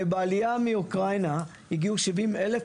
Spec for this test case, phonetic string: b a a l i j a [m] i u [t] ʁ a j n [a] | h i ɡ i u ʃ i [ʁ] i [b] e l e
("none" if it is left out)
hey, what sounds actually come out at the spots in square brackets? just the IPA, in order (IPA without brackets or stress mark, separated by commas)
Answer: m, k, a, v, m